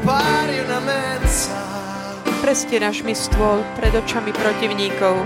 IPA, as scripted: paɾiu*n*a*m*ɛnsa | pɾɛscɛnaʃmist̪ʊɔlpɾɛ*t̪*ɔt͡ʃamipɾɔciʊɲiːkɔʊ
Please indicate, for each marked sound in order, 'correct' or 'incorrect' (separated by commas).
correct, correct, incorrect